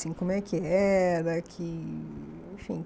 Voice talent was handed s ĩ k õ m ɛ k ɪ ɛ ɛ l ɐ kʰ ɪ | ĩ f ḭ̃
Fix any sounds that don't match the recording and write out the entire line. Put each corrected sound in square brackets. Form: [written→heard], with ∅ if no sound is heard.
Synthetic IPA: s ĩ k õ m ɛ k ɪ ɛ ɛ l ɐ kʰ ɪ | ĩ f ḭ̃

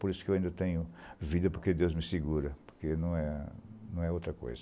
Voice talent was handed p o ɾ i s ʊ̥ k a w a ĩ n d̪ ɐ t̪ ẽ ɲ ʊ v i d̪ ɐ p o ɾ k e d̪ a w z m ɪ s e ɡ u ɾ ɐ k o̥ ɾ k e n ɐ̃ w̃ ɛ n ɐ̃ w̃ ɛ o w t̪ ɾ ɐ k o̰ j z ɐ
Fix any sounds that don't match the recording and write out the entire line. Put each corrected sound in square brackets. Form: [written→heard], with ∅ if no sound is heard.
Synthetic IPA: p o ɾ i s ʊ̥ k [a→e] w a ĩ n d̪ ɐ t̪ ẽ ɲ ʊ v i d̪ ɐ p o ɾ k e d̪ [a→e] w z m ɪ s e ɡ u ɾ ɐ [k→p] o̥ ɾ k e n ɐ̃ w̃ ɛ n ɐ̃ w̃ ɛ o w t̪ ɾ ɐ k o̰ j z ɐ

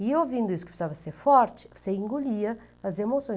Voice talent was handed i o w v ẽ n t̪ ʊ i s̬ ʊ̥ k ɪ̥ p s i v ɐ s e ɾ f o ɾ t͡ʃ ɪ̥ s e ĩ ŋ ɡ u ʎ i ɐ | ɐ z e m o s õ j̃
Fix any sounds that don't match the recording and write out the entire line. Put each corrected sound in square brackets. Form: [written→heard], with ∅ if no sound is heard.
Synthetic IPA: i o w v [ẽ→ĩ] n [t̪→d̪] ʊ i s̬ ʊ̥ k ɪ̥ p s [i→a] v ɐ s e ɾ f [o→ɔ] ɾ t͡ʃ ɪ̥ s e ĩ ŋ ɡ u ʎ i ɐ | ɐ z e m o s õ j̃

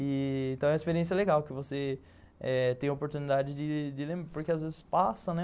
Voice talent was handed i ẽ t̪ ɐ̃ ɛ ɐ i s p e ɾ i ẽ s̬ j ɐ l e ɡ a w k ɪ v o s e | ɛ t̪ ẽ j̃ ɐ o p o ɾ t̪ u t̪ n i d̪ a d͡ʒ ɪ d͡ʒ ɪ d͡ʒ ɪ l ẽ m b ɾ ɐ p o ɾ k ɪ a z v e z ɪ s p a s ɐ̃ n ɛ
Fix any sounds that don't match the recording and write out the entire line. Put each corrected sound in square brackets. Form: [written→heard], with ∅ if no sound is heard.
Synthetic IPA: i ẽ t̪ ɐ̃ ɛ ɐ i s p e ɾ i ẽ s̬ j ɐ l e ɡ a w k ɪ v o s e | ɛ t̪ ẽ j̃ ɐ o p o ɾ t̪ u [t̪→∅] n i d̪ a d͡ʒ ɪ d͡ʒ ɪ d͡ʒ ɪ l ẽ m b ɾ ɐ p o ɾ k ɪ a z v e z ɪ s p a s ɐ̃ n ɛ

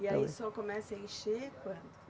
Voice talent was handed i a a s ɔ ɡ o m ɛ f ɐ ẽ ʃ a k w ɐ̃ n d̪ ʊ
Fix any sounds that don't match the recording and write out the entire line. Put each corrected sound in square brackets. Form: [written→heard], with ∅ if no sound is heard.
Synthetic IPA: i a [a→i] s ɔ [ɡ→k] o m ɛ [f→s] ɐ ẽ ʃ [a→e] k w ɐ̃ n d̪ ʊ

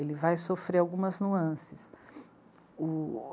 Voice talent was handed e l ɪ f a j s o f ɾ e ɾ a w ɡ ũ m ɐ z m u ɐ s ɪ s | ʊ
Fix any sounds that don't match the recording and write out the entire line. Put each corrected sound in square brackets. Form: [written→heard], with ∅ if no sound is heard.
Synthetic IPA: e l ɪ [f→v] a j s o f ɾ e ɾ a w ɡ ũ m ɐ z [m→n] u [ɐ→ɐ̃] s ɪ s | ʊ

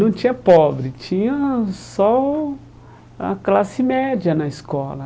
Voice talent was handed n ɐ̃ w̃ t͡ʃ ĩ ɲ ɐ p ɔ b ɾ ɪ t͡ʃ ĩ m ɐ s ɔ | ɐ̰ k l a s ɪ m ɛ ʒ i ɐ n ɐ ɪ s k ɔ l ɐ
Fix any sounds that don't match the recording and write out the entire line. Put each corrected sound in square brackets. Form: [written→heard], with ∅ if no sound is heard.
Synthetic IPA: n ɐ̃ w̃ t͡ʃ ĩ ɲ ɐ p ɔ b ɾ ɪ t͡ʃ ĩ [m→ɲ] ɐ s ɔ | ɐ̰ k l a s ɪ m ɛ [ʒ→d͡ʒ] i ɐ n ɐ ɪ s k ɔ l ɐ

